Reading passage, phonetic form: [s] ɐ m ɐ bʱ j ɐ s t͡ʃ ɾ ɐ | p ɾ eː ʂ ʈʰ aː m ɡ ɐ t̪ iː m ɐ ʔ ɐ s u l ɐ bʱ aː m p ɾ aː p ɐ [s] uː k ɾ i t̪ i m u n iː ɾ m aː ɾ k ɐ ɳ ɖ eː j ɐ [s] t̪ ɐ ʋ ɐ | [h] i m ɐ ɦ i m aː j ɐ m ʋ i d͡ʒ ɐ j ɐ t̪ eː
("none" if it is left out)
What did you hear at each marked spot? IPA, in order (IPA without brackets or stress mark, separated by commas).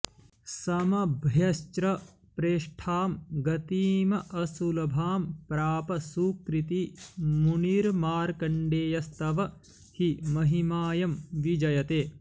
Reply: s, s, s, h